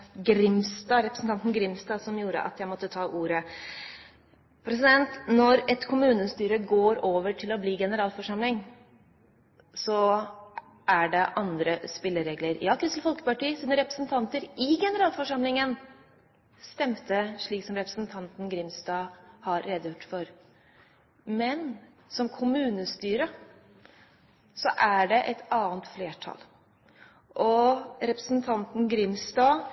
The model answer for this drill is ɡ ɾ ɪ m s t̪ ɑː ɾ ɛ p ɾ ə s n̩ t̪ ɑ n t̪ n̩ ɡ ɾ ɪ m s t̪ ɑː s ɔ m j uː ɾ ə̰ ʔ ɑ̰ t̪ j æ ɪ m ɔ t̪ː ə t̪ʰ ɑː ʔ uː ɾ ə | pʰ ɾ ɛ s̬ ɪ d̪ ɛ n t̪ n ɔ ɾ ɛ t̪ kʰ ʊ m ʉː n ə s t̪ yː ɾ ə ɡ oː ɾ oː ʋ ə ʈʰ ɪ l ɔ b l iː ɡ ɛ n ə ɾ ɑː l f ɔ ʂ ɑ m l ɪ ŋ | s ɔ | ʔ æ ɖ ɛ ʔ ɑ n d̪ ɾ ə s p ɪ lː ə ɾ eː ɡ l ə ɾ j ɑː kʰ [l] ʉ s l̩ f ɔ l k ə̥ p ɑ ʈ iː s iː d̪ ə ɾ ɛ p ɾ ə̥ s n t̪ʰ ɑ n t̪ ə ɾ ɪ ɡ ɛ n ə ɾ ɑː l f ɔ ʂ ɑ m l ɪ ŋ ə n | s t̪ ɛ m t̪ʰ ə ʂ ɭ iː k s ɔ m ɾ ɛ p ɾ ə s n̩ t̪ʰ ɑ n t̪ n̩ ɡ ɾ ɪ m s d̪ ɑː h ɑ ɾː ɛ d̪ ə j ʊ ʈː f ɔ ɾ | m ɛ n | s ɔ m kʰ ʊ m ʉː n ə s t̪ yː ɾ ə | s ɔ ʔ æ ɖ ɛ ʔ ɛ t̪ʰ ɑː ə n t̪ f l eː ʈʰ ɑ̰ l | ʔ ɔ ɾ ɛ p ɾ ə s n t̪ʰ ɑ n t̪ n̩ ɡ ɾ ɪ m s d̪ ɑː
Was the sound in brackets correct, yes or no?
no